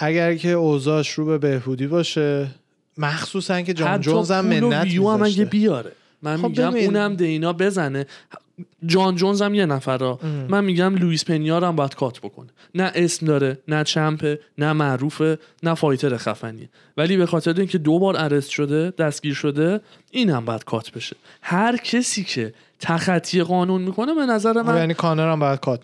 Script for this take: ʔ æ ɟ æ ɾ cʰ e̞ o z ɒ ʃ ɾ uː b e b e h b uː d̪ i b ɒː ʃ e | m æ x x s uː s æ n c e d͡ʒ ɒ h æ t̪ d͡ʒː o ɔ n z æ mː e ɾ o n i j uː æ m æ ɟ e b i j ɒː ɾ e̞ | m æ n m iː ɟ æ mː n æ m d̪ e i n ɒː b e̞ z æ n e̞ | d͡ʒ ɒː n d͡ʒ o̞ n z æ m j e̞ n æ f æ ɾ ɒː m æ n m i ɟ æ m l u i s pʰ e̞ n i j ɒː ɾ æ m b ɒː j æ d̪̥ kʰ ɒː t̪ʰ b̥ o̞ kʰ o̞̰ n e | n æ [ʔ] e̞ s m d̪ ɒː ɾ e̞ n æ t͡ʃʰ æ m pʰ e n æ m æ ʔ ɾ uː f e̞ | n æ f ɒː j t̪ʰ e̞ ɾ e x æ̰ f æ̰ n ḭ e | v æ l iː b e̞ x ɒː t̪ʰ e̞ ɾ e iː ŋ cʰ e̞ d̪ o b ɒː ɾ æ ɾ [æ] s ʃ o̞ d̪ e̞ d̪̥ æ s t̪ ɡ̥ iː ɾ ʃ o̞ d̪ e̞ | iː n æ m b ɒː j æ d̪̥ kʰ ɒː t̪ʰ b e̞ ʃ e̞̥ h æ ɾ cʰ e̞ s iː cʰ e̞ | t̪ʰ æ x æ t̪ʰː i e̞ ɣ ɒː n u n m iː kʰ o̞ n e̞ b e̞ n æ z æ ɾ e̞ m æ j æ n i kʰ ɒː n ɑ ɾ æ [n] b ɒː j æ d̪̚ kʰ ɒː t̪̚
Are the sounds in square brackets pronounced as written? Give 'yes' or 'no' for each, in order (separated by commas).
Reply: yes, no, no